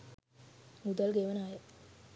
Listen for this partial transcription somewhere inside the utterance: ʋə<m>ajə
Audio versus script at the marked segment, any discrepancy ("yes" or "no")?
yes